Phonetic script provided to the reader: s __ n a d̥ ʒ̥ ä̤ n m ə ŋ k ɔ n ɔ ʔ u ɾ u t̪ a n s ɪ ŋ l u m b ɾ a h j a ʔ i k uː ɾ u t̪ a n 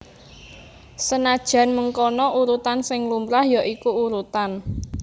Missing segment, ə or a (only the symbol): ə